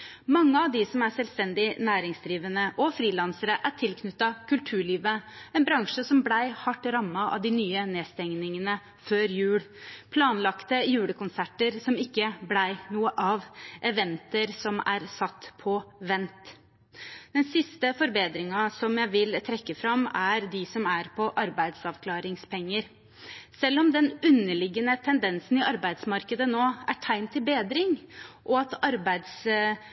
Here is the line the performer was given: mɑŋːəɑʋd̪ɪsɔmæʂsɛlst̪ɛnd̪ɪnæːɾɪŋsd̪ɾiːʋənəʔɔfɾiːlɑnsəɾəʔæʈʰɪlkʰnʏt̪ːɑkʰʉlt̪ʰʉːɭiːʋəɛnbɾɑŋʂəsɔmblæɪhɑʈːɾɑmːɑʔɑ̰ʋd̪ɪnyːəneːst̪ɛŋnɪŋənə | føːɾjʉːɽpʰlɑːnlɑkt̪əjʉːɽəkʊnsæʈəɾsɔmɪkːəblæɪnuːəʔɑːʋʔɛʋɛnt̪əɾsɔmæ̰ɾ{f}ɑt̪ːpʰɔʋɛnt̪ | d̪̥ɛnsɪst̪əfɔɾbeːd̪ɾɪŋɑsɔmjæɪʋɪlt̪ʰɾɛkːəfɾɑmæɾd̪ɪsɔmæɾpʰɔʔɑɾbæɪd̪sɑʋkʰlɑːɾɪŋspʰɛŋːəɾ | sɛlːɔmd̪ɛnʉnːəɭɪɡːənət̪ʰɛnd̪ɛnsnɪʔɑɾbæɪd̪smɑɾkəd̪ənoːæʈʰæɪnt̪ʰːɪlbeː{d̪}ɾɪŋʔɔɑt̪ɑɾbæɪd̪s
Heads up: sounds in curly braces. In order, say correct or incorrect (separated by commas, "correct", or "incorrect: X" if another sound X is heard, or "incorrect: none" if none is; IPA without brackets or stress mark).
incorrect: s, correct